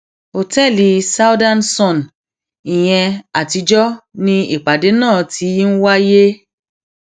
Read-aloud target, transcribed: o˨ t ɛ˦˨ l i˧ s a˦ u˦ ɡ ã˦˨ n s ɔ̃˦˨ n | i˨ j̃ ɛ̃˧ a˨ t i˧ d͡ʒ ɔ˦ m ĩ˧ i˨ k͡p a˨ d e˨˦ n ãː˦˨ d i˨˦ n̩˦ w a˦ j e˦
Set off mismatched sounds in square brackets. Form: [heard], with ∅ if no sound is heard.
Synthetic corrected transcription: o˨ t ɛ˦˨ l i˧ s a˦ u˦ [d] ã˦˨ n s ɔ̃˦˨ n | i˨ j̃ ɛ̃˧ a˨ t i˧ d͡ʒ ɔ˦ [n] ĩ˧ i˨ k͡p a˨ d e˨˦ n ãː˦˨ [t] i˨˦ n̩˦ w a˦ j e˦

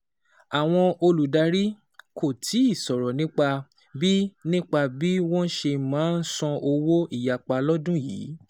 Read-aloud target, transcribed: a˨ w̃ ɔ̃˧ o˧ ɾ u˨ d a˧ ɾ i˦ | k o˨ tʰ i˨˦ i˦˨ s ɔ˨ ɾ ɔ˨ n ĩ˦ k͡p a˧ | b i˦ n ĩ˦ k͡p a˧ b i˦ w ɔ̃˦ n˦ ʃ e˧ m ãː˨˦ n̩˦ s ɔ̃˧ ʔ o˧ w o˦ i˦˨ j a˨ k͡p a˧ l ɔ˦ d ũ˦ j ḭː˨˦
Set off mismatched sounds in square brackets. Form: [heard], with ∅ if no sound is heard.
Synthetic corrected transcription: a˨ w̃ ɔ̃˧ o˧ [l] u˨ d a˧ ɾ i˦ | k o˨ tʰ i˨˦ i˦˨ s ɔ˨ ɾ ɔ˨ n ĩ˦ k͡p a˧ | b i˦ n ĩ˦ k͡p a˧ b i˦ w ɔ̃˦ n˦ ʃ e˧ m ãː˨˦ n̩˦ s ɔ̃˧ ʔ o˧ w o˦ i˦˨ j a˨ k͡p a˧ l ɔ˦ d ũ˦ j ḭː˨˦

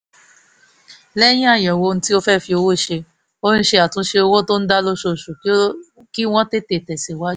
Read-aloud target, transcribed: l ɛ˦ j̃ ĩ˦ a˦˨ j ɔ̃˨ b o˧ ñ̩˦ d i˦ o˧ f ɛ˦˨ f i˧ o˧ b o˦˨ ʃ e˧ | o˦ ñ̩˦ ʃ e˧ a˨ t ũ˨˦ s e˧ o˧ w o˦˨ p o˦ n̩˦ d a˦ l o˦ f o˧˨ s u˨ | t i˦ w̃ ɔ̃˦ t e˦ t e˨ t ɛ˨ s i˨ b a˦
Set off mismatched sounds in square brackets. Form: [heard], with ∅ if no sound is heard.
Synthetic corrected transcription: l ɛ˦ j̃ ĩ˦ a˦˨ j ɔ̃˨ [w] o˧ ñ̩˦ [t] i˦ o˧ f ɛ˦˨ f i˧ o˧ [w] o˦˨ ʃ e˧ | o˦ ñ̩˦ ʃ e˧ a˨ t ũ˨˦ [ʃ] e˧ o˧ w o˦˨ [t] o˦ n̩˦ d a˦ l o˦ [ʃ] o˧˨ [ʃ] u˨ | [k] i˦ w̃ ɔ̃˦ t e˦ t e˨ t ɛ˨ s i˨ [w] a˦

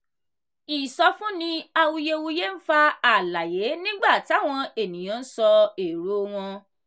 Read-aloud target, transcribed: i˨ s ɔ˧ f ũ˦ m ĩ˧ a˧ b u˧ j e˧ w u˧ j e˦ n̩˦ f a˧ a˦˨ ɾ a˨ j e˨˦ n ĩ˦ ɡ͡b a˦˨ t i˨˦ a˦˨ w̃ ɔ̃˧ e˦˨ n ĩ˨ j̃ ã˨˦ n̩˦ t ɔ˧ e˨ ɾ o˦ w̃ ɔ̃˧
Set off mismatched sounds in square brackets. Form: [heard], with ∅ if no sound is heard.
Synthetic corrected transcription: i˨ s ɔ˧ f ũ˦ [n] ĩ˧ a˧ [w] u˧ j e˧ w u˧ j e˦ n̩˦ f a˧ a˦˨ [l] a˨ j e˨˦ n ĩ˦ ɡ͡b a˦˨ t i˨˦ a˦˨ w̃ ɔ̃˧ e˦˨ n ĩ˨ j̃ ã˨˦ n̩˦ [s] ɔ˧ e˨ ɾ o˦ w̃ ɔ̃˧

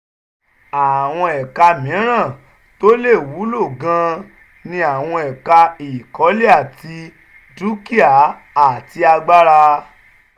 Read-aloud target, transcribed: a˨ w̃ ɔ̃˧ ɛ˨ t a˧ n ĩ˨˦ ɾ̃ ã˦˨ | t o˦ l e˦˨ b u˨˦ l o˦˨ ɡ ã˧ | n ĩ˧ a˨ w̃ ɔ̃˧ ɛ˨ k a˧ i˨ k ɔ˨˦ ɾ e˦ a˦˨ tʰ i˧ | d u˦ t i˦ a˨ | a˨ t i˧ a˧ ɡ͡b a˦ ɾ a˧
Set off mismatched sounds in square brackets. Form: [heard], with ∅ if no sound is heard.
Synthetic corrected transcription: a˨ w̃ ɔ̃˧ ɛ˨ [k] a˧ [m] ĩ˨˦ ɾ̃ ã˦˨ | t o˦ l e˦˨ [w] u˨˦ l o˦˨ ɡ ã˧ | n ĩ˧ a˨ w̃ ɔ̃˧ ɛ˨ k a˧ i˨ k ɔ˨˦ [l] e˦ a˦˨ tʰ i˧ | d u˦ [k] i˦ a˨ | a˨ t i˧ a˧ ɡ͡b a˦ ɾ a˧

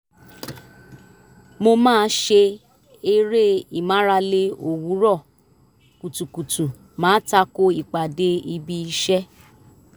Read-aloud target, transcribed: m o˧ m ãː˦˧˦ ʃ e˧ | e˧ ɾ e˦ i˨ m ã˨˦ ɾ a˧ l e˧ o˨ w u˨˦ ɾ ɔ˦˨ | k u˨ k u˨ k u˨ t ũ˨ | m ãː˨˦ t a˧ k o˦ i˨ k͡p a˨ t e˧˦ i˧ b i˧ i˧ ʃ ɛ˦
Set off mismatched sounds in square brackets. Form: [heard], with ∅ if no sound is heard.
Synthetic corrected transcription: m o˧ m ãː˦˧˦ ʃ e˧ | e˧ ɾ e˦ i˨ m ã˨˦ ɾ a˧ l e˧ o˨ w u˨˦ ɾ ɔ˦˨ | k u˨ [t] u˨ k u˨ t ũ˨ | m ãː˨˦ t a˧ k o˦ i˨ k͡p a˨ [d] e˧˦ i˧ b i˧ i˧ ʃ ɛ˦

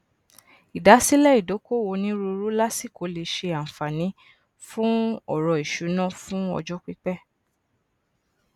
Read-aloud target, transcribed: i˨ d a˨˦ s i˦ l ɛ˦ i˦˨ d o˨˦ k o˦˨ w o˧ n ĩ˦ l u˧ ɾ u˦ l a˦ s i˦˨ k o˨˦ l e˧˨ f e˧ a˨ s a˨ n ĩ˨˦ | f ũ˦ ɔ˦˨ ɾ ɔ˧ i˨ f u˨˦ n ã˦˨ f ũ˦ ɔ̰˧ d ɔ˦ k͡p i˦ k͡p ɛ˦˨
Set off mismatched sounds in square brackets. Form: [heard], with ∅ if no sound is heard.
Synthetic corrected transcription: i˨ d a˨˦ s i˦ l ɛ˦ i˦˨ d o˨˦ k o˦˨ w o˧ n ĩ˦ [ɾ] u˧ ɾ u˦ l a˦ s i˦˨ k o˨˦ l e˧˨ [ʃ] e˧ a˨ [f] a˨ n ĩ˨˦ | f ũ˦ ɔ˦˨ ɾ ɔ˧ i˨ [ʃ] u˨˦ n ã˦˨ f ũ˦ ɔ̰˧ [d͡ʒ] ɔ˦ k͡p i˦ k͡p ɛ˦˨

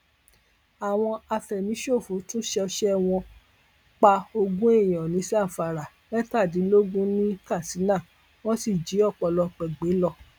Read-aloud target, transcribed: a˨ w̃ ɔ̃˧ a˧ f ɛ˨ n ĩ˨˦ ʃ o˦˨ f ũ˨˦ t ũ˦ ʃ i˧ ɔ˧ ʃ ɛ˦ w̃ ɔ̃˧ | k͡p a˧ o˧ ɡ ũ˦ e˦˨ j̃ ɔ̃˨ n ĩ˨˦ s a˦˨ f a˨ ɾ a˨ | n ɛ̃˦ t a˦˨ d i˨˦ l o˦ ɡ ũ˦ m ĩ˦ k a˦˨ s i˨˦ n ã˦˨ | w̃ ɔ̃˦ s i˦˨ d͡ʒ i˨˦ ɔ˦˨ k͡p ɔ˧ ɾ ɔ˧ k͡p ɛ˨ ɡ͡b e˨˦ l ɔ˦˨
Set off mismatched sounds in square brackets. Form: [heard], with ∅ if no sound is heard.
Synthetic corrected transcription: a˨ w̃ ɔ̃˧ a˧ f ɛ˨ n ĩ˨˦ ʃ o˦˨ f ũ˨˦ t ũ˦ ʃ [ɛ˧] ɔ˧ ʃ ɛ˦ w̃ ɔ̃˧ | k͡p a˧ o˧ ɡ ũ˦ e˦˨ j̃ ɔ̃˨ n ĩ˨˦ s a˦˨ f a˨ ɾ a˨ | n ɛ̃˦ t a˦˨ d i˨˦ l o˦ ɡ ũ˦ [n] ĩ˦ k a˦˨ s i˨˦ n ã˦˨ | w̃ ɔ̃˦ s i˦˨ d͡ʒ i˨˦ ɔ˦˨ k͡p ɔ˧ [l] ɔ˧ k͡p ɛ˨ ɡ͡b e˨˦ l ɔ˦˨

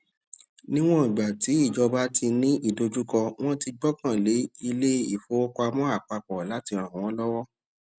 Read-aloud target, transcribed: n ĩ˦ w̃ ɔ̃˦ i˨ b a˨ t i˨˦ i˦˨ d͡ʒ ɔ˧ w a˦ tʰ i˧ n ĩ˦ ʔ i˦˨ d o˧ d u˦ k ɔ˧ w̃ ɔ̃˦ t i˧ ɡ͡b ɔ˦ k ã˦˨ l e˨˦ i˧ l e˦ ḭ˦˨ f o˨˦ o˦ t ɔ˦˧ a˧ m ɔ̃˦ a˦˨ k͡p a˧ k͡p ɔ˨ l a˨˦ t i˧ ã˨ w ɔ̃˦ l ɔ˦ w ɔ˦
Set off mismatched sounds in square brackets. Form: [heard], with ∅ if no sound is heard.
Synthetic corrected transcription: n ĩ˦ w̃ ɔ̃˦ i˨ [ɡ͡b] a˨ t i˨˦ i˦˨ d͡ʒ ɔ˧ [b] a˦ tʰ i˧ n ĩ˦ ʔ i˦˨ d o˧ [d͡ʒ] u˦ k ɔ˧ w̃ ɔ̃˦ t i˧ ɡ͡b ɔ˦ k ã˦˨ l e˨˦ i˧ l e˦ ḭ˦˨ f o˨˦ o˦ [k] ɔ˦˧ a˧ m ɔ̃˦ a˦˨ k͡p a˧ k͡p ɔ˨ l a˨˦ t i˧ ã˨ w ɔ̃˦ l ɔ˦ w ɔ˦

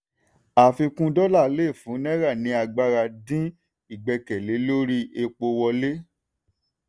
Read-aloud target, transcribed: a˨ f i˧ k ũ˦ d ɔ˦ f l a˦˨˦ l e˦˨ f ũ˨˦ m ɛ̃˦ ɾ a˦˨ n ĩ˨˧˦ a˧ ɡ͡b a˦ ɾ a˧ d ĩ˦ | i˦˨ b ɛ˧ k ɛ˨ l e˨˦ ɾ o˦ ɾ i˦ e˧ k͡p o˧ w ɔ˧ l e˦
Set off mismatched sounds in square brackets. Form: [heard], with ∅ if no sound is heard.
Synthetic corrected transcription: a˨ f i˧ k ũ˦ d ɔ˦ [∅] l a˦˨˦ l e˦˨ f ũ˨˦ [n] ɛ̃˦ ɾ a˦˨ n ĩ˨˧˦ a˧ ɡ͡b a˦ ɾ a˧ d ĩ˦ | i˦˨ [ɡ͡b] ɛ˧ k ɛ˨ l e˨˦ [l] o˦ ɾ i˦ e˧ k͡p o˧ w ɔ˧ l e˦

